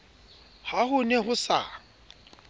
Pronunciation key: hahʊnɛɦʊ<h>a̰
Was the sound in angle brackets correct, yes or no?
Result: no